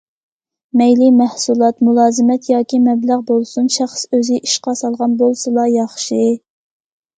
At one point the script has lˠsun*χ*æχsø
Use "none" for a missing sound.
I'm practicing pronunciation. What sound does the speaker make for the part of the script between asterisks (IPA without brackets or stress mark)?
ʃ